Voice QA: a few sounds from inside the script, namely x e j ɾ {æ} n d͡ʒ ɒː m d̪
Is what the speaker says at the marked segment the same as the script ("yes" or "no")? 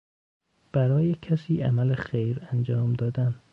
yes